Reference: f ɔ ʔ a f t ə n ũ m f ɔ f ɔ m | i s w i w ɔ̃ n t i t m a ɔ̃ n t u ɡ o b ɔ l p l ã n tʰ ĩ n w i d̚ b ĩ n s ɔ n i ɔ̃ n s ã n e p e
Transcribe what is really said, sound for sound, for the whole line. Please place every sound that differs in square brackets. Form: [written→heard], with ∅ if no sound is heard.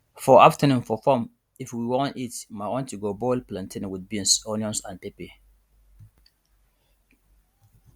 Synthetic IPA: f ɔ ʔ a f t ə n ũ m f ɔ f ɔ m | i [s→f] w i w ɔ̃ n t i t m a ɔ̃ n t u ɡ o b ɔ l p l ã n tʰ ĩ n w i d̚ b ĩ n s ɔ n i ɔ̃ n s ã n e p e